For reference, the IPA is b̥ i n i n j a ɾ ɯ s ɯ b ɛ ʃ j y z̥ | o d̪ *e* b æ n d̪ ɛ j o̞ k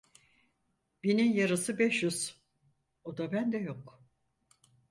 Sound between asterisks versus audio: incorrect: a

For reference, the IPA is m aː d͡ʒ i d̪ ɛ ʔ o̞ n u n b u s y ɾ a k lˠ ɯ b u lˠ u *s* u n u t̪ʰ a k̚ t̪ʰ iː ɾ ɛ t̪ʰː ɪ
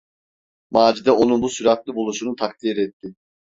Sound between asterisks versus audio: incorrect: ʃ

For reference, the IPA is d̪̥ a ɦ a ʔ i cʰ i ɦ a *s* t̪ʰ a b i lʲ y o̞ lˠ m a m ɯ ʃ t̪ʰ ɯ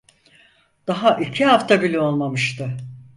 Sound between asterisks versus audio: incorrect: f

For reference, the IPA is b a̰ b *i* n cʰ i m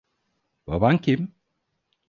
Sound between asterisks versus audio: incorrect: a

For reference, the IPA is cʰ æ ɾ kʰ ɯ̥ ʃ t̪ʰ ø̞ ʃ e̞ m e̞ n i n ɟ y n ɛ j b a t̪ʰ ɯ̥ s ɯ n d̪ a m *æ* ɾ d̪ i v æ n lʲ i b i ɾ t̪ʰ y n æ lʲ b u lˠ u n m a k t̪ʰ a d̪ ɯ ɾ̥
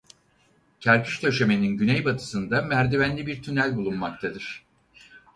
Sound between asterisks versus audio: correct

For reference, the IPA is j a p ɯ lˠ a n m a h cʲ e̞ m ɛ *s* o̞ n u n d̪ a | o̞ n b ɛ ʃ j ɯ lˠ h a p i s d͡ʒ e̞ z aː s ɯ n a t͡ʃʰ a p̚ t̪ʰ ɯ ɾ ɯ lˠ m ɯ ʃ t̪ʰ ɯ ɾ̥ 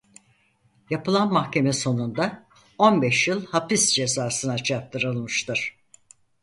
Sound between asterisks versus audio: correct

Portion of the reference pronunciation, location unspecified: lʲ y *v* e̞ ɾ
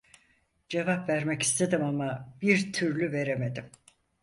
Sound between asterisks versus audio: correct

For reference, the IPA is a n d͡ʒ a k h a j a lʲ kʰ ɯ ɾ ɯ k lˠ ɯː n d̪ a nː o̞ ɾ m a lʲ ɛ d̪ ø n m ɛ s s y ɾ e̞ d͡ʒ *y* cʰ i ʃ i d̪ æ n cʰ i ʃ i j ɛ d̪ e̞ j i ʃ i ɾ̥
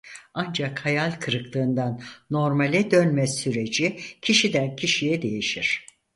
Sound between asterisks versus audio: incorrect: i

